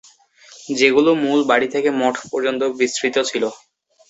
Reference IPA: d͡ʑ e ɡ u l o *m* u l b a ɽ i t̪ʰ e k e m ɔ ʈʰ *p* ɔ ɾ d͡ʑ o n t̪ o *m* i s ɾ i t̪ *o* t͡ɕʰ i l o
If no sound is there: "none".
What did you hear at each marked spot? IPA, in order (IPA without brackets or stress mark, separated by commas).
m, p, b, o